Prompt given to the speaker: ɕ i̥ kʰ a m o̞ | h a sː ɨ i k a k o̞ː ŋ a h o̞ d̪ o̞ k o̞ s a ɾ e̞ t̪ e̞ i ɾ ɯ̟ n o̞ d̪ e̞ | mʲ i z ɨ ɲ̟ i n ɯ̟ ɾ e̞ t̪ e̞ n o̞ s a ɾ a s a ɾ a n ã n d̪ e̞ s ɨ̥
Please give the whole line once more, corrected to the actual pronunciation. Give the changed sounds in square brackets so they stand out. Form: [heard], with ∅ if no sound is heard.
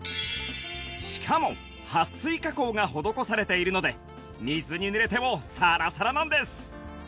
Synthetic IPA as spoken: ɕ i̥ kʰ a m o̞ | h a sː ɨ i k a k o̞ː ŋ a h o̞ d̪ o̞ k o̞ s a ɾ e̞ t̪ e̞ i ɾ ɯ̟ n o̞ d̪ e̞ | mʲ i z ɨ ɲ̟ i n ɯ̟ ɾ e̞ t̪ e̞ [m] o̞ s a ɾ a s a ɾ a n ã n d̪ e̞ s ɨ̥

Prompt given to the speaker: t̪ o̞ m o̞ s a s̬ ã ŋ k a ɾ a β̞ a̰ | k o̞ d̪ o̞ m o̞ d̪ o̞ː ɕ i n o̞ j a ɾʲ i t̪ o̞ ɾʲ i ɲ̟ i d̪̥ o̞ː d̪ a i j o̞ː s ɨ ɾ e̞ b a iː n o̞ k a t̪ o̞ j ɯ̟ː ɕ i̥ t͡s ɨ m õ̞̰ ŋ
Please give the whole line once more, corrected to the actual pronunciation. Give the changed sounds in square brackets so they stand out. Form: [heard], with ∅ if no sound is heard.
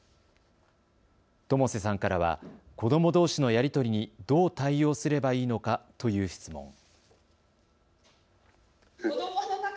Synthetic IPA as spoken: t̪ o̞ m o̞ s [e] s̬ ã ŋ k a ɾ a β̞ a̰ | k o̞ d̪ o̞ m o̞ d̪ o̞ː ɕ i n o̞ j a ɾʲ i t̪ o̞ ɾʲ i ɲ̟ i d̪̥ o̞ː [t̪] a i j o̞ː s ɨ ɾ e̞ b a iː n o̞ k a t̪ o̞ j ɯ̟ː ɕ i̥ t͡s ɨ m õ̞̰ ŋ

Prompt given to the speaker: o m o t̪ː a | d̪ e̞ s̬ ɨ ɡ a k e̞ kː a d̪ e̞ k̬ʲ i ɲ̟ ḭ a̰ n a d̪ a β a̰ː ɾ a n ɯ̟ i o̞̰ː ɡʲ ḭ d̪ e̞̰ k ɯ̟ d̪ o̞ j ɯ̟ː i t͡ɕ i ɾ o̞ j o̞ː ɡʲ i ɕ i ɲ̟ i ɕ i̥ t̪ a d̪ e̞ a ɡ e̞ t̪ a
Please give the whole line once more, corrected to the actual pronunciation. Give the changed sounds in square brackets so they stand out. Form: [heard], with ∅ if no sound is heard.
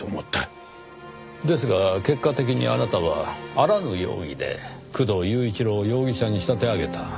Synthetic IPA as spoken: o m o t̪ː a | d̪ e̞ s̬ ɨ ɡ a k e̞ kː a [t̪] e̞ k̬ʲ i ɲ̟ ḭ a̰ n a [t̪] a β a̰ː ɾ a n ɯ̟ [j] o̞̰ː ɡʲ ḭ d̪ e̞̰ k ɯ̟ d̪ o̞ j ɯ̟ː i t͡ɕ i ɾ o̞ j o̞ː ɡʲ i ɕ [a] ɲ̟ i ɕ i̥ t̪ a [t̪] e̞ a ɡ e̞ t̪ a

